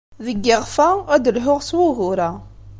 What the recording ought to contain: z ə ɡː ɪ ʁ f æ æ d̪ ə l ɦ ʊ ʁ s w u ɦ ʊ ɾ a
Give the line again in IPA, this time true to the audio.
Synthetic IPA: ð ə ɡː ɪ ʁ f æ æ d̪ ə l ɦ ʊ ʁ s w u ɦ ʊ ɾ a